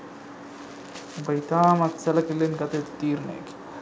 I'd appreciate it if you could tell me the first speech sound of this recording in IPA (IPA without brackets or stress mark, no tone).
b